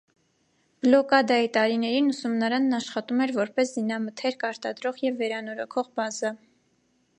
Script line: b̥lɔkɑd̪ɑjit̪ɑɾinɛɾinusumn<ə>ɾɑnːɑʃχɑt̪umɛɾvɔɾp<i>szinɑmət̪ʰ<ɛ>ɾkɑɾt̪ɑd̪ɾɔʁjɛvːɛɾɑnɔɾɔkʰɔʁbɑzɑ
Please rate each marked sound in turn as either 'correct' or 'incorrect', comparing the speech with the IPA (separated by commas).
incorrect, incorrect, correct